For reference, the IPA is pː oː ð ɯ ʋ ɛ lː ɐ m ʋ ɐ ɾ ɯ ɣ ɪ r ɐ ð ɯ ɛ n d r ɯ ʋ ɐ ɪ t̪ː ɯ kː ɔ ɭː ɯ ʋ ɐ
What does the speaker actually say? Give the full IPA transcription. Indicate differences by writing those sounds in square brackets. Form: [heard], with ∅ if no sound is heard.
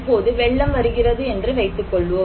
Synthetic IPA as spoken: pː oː ð ɯ ʋ ɛ [ɭː] ɐ m ʋ ɐ ɾ ɯ ɣ ɪ r ɐ ð ɯ ɛ n d r ɯ ʋ ɐ ɪ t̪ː ɯ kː ɔ ɭː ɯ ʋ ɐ